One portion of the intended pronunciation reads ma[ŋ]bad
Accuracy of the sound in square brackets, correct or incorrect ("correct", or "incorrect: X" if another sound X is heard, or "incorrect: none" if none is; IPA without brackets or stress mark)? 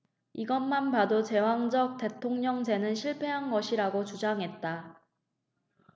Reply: incorrect: n